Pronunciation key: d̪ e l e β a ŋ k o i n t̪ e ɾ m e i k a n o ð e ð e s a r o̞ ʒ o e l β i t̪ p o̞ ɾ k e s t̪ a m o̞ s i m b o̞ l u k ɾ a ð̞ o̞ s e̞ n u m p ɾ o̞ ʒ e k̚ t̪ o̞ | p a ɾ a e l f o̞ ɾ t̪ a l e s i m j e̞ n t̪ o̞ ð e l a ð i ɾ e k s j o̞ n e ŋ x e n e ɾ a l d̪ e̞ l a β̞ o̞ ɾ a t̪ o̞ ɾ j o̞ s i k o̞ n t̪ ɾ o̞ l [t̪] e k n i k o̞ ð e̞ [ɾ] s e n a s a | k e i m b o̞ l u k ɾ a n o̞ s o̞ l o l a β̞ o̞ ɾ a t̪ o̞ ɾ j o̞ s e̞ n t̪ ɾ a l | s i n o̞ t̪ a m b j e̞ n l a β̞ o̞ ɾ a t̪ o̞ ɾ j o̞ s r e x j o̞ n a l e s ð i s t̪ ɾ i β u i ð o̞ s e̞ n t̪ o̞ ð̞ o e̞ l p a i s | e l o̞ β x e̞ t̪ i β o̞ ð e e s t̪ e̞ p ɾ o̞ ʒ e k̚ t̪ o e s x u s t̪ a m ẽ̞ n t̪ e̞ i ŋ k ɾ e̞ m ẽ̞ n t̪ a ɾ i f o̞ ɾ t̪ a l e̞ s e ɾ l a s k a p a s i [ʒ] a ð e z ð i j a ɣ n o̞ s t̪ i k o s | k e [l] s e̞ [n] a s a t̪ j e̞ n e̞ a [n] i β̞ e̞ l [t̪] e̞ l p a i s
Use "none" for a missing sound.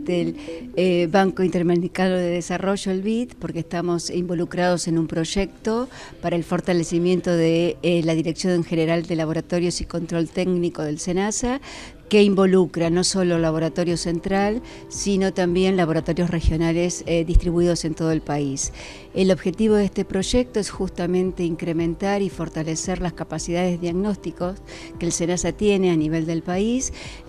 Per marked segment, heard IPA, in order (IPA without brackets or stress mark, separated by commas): t̪, l, ð, l, n, n, d̪